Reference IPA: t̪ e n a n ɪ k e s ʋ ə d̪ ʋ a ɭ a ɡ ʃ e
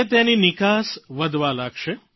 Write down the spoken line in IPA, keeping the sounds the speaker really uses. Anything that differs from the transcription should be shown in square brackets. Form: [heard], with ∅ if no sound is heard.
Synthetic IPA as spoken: t̪ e n [i] n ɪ k [a] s ʋ ə d̪ ʋ a [l] a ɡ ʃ e